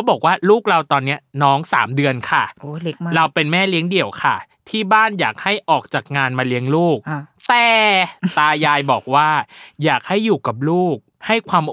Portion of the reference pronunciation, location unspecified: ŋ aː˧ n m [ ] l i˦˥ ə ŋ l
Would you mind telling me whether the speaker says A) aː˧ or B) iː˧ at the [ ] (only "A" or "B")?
A